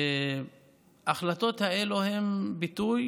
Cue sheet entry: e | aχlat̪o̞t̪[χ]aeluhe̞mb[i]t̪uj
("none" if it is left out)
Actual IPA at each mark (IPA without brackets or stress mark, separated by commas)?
h, i